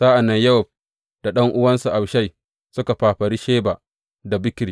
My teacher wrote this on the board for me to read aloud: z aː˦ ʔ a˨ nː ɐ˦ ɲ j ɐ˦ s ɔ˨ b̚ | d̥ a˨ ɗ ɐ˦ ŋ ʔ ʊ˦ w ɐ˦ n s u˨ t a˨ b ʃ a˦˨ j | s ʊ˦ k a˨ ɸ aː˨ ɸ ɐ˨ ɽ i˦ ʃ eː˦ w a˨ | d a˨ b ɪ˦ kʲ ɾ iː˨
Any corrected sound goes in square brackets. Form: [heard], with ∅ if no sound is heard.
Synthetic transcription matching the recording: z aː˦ ʔ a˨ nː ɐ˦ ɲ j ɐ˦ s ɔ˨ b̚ | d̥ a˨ ɗ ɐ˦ ŋ ʔ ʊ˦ w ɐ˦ n s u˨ [ʔ] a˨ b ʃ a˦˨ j | s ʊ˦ k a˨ ɸ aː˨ ɸ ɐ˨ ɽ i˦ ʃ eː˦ [b] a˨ | d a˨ b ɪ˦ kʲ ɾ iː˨

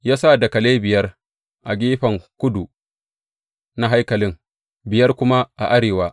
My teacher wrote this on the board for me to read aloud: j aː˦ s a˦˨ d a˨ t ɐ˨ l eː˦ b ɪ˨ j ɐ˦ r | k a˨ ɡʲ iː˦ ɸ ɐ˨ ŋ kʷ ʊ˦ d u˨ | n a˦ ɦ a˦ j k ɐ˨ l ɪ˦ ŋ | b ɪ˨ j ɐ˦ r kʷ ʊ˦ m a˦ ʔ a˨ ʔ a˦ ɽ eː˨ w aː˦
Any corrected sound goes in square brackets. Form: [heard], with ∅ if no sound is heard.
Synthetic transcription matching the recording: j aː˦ s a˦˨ d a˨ [k] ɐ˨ l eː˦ b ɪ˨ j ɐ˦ r | [ʔ] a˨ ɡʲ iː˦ ɸ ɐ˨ ŋ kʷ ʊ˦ d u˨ | n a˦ ɦ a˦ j k ɐ˨ l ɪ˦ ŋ | b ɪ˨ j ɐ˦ r kʷ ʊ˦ m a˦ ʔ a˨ ʔ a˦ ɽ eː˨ w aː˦

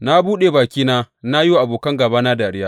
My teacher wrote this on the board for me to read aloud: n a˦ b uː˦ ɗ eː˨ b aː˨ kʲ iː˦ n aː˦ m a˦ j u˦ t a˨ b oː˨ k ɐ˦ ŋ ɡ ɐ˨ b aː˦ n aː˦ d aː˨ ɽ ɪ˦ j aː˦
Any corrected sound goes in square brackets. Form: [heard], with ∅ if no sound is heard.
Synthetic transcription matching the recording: n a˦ b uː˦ ɗ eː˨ b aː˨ kʲ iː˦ n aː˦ [n] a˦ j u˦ [ʔ] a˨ b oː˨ k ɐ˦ ŋ ɡ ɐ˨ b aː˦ n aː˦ d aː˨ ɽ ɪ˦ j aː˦

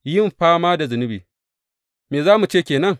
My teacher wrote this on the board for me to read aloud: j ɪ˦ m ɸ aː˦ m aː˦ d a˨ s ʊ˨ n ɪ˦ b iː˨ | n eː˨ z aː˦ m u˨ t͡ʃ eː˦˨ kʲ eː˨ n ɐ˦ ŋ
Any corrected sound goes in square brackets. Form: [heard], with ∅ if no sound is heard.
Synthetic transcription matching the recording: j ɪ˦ m ɸ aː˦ m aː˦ d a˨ [z] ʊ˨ n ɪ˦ b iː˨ | [m] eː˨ z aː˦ m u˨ t͡ʃ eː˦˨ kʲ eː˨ n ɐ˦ ŋ

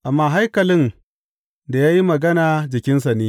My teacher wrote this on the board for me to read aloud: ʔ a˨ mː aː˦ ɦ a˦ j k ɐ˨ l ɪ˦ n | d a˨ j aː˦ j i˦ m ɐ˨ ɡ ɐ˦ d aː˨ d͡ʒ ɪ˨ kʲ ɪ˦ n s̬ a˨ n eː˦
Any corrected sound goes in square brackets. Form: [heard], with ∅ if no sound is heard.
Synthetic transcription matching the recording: ʔ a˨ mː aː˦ ɦ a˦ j k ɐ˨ l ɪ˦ n | d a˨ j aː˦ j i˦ m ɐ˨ ɡ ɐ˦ [n] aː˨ d͡ʒ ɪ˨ kʲ ɪ˦ n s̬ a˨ n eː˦

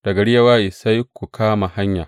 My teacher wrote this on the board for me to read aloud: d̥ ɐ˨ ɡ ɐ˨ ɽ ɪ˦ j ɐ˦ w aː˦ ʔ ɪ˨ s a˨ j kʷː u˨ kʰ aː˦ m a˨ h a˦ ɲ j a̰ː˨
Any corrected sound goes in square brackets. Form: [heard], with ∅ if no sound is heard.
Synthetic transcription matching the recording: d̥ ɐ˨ ɡ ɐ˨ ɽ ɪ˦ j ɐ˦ w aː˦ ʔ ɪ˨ s [a˦] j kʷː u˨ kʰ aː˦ m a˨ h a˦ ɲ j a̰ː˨

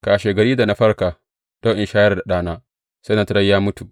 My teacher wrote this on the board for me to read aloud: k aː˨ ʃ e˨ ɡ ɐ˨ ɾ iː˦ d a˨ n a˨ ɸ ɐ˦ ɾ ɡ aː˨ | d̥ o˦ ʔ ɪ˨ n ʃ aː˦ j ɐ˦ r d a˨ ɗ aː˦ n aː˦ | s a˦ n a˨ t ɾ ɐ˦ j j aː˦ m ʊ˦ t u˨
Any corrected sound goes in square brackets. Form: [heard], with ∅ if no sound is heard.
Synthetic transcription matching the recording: k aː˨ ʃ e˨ ɡ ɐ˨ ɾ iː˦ d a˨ n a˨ ɸ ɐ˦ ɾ [k] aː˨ | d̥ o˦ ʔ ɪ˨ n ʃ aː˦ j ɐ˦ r d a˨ ɗ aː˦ n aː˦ | s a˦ n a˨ t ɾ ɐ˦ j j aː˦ m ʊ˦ t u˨

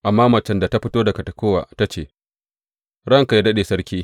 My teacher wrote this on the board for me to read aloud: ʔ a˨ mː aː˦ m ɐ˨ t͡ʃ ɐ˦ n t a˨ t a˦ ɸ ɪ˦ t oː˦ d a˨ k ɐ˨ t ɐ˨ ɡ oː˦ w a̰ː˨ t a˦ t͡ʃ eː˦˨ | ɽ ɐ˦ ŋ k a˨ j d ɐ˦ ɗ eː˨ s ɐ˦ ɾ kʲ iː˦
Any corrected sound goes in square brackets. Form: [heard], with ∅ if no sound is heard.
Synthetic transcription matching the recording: ʔ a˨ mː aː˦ m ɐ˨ t͡ʃ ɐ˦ n [d] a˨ t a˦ ɸ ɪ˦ t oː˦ d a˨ k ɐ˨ t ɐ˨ [k] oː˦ w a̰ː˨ t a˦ t͡ʃ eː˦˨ | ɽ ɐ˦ ŋ k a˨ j d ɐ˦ ɗ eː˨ s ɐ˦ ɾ kʲ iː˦

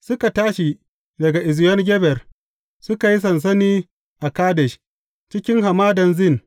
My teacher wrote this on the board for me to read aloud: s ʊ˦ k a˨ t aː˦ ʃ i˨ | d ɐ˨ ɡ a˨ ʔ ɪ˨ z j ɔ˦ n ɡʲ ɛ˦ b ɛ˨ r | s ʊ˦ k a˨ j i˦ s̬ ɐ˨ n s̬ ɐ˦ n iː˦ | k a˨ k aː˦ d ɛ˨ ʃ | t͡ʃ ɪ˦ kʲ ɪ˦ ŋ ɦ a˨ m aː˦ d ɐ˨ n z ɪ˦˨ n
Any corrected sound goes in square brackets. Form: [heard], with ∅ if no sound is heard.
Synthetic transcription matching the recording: s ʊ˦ k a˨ t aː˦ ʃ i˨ | d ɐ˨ ɡ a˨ ʔ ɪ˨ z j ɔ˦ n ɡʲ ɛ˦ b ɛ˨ r | s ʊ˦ k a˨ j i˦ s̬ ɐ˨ n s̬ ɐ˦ n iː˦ | [ʔ] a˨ k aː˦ d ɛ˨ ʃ | t͡ʃ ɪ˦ kʲ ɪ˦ ŋ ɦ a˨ m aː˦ d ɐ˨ n z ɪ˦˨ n

